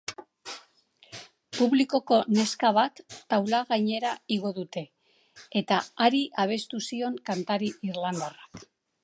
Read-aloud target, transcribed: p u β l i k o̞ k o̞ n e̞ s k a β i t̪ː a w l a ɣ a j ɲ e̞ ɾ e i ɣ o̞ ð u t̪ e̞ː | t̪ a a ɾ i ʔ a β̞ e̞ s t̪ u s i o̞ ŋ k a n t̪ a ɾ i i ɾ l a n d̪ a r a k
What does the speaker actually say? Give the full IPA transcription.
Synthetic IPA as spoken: p u β l i k o̞ k o̞ n e̞ s k a β a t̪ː a w l a ɣ a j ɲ e̞ ɾ a i ɣ o̞ ð u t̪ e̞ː | t̪ a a ɾ i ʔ a β̞ e̞ s t̪ u s i o̞ ŋ k a n t̪ a ɾ i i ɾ l a n d̪ a r a k